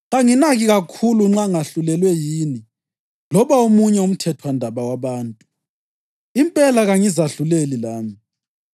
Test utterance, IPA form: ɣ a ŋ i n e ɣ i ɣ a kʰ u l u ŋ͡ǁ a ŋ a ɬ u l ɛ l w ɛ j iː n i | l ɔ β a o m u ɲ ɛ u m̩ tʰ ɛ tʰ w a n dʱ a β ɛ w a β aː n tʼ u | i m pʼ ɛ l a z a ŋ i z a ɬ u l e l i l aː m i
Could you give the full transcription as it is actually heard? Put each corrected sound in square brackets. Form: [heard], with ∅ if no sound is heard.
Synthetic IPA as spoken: ɣ a ŋ i n [a] ɣ i ɣ a kʰ u l u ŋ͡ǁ a ŋ a ɬ u l ɛ l w ɛ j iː n i | l ɔ β a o m u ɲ ɛ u m̩ tʰ ɛ tʰ w a n dʱ a β [a] w a β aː n tʼ u | i m pʼ ɛ l a [ɣ] a ŋ i z a ɬ u l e l i l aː m i

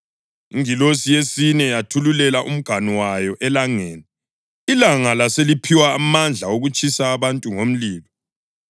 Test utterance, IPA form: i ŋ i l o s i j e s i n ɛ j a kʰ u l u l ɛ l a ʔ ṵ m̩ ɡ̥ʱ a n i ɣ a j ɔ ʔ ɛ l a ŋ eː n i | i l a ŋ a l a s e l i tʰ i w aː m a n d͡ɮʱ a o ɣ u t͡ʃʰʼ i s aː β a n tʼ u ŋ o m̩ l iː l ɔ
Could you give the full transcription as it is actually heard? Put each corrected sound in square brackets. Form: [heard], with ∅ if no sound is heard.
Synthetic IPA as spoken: i ŋ i l o s i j e s i n ɛ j a [tʰ] u l u l ɛ l a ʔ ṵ m̩ ɡ̥ʱ a n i [w] a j ɔ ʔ ɛ l a ŋ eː n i | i l a ŋ a l a s e l i [pʰ] i w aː m a n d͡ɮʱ a o ɣ u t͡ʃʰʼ i s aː β a n tʼ u ŋ o m̩ l iː l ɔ

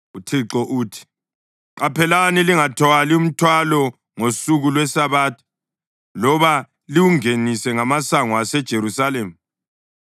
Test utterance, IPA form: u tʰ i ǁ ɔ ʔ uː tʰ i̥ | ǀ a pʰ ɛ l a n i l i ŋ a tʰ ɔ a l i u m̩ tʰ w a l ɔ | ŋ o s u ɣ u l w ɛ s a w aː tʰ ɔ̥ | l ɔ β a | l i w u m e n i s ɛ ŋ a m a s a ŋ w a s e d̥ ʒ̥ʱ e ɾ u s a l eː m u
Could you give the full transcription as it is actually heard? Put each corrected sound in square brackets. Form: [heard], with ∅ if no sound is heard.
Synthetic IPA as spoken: u tʰ i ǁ ɔ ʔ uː tʰ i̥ | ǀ a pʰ ɛ l a n i l i ŋ a tʰ ɔ a l i u m̩ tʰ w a l ɔ | ŋ o s u ɣ u l w ɛ s a [β] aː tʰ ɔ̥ | l ɔ β a | l i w u [ŋ] e n i s ɛ ŋ a m a s a ŋ w a s [ɛ] d̥ ʒ̥ʱ e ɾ u s a l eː m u

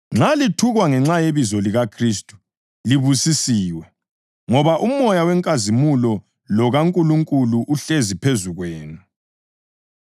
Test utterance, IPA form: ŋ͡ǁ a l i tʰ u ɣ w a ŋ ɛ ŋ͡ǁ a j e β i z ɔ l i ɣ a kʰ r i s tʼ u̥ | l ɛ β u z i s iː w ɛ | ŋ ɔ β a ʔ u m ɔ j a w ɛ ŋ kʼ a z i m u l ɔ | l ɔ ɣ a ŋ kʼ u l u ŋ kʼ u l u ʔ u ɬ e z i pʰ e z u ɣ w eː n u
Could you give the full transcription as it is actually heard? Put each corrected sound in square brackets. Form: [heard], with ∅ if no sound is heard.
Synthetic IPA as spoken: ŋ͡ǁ a l i tʰ u ɣ w a ŋ ɛ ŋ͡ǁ a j e β i z ɔ l i ɣ a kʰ r i s tʼ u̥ | l [i] β u [s] i s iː w ɛ | ŋ ɔ β a ʔ u m ɔ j a w ɛ ŋ kʼ a z i m u l ɔ | l ɔ ɣ a ŋ kʼ u l u ŋ kʼ u l u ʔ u ɬ e z i pʰ e z u ɣ w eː n u

